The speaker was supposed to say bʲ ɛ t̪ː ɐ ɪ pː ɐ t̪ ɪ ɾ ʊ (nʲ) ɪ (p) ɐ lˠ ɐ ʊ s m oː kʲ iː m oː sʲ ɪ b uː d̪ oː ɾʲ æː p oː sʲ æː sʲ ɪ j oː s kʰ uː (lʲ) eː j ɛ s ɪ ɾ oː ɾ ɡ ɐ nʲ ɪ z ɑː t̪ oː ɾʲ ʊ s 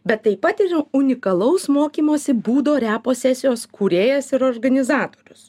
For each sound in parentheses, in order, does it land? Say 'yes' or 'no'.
yes, no, no

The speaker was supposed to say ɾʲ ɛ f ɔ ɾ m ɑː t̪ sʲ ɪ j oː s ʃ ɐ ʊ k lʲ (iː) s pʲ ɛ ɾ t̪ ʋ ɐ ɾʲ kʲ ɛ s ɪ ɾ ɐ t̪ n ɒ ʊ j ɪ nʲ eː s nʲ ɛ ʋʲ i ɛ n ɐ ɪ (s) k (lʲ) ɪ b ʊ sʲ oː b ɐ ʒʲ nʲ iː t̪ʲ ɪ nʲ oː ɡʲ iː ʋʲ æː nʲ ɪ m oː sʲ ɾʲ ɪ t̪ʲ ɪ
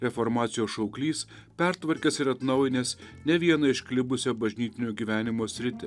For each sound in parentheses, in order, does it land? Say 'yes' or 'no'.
yes, no, yes

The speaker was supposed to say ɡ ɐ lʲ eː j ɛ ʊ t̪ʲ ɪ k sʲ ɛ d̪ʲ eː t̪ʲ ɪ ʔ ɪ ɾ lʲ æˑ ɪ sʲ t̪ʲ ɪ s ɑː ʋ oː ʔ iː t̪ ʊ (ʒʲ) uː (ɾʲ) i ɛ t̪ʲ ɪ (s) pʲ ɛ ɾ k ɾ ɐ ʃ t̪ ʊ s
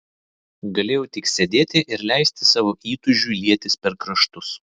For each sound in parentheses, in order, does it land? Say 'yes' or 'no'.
yes, no, yes

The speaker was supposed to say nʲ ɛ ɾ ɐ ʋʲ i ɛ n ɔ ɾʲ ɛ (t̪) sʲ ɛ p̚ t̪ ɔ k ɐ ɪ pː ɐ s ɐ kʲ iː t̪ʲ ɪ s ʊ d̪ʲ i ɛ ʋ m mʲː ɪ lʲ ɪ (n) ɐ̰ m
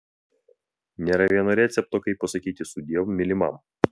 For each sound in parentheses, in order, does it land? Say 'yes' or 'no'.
yes, no

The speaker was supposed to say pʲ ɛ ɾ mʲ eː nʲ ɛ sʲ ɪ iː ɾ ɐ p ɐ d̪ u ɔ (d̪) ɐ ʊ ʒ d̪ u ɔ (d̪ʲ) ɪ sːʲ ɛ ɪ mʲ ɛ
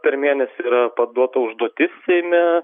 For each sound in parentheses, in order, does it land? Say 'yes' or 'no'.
no, no

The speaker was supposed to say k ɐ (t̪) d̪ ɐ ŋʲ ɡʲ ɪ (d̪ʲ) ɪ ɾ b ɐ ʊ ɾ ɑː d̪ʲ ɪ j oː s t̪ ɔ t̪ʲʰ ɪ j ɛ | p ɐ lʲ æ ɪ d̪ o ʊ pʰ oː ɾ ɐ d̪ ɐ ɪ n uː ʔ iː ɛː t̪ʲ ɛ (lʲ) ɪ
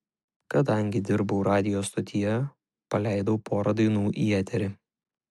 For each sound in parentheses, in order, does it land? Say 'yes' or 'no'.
no, yes, no

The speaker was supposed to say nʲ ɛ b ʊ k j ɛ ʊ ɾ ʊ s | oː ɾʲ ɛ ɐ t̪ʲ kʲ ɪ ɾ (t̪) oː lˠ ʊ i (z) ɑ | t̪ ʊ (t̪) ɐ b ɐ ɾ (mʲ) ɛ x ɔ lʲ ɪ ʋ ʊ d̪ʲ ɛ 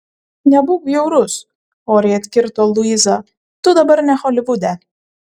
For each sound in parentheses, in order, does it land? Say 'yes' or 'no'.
yes, yes, no, no

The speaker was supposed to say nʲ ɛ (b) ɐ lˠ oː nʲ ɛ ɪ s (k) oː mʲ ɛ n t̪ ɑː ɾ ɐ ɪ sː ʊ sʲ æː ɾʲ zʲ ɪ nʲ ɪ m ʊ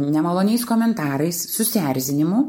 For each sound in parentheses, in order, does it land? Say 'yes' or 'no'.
no, yes

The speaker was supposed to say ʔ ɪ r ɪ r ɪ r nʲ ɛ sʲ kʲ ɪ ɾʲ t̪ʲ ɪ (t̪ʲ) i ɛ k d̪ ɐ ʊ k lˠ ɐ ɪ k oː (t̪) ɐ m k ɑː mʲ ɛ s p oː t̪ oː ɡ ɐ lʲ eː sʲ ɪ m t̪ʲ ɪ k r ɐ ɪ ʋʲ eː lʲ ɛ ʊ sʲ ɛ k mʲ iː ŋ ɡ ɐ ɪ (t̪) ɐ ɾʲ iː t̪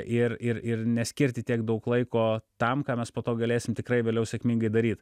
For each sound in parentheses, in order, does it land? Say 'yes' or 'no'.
yes, yes, no

